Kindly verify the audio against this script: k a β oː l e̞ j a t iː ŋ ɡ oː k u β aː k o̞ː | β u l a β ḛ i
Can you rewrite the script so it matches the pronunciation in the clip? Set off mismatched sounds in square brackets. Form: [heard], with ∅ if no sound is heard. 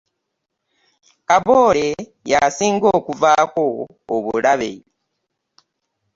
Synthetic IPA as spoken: k a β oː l e̞ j a [s] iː ŋ ɡ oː k u [v] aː k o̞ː | β u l a β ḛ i

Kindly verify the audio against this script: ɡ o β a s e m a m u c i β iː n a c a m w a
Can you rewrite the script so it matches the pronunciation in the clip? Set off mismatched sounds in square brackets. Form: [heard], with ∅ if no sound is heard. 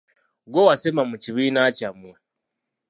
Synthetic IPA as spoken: ɡ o [w] a s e m a m u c i β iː n a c a m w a

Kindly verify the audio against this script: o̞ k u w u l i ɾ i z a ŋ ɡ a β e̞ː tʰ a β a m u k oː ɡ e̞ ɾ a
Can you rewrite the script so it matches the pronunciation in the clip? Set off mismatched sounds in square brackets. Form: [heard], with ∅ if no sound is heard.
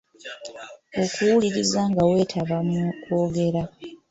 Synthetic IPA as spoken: o̞ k u w u l i ɾ i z a ŋ ɡ a [w] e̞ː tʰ a β a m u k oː ɡ e̞ ɾ a

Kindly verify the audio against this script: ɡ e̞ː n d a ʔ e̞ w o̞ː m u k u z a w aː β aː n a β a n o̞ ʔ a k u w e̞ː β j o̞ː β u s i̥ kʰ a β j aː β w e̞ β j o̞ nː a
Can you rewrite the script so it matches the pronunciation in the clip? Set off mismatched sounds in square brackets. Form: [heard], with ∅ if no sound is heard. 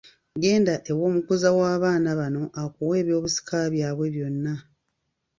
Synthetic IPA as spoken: ɡ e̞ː n d a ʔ e̞ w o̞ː m u k u z a w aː β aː n a β a n o̞ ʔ a k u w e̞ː β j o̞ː β u s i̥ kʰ a β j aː β w e̞ β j o̞ nː a

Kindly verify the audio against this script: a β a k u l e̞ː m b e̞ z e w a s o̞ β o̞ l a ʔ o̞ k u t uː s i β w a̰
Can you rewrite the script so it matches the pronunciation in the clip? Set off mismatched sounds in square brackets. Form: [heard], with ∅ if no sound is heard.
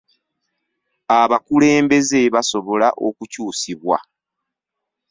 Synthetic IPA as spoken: a β a k u l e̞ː m b e̞ z e [β] a s o̞ β o̞ l a ʔ o̞ k u [c] uː s i β w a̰

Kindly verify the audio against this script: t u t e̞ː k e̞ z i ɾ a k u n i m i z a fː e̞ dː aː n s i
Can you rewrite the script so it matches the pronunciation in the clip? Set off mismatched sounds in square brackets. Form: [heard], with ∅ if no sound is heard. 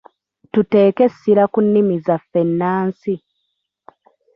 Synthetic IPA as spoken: t u t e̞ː k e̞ [s] i ɾ a k u [nː] i m i z a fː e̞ [nː] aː n s i

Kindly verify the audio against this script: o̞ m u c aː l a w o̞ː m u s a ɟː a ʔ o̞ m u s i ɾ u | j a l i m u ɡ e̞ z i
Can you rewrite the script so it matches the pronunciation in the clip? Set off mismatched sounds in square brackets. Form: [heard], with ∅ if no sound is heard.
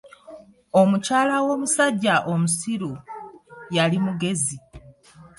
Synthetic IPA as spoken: o̞ m u c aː l a w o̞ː m u s a ɟː a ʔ o̞ m u s i ɾ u | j a l i m u ɡ e̞ z i

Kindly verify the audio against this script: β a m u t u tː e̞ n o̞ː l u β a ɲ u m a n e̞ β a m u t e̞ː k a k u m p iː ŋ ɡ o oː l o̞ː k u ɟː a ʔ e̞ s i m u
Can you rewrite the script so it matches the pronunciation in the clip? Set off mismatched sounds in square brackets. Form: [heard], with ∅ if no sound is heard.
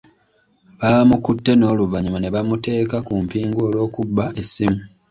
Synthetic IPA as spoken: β a m u [k] u tː e̞ n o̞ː l u [v] a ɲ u m a n e̞ β a m u t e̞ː k a k u m p iː ŋ ɡ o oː l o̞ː k u [bː] a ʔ e̞ s i m u

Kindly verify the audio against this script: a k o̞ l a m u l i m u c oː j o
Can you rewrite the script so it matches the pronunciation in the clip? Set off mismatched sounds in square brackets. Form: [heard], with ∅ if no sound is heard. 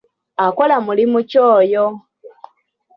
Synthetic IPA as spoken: a k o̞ l a m u l i m u c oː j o

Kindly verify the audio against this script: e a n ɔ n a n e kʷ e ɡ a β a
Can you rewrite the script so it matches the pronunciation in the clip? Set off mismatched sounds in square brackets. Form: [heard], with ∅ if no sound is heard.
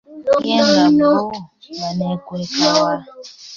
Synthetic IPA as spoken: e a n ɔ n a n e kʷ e [k] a [w] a

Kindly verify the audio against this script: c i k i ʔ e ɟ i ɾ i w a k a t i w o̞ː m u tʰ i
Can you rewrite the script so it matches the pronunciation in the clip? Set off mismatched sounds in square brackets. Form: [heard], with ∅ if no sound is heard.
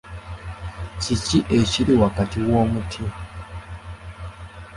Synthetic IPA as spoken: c i [c] i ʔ e [c] i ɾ i w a k a t i w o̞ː m u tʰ i

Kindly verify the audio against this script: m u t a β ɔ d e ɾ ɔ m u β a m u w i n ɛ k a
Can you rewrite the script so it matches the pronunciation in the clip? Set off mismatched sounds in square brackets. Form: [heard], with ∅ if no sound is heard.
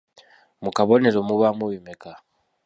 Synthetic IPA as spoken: m u [k] a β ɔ [n] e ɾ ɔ m u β a m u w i [m] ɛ k a

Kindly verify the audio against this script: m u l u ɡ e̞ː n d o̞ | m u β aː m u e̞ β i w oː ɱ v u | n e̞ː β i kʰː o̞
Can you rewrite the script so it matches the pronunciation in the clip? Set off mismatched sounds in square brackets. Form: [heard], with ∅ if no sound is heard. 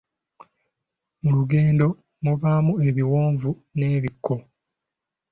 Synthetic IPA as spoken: m u l u ɡ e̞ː n d o̞ | m u β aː m u e̞ β i w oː ɱ v u | n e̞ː β i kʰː o̞

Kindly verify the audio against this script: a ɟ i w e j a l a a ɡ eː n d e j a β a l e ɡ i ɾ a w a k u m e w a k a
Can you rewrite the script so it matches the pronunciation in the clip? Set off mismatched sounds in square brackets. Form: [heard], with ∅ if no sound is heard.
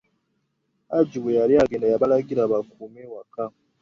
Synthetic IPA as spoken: a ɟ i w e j a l [i] a ɡ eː n d [a] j a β a l [a] ɡ i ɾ a [β] a k u m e w a k a

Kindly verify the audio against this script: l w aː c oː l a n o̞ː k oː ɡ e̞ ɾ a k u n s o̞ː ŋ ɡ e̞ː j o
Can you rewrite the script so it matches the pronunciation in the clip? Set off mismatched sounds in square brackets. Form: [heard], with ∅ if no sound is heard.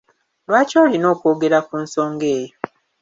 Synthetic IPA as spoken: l w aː c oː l [i] n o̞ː k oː ɡ e̞ ɾ a k u n s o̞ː ŋ ɡ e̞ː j o

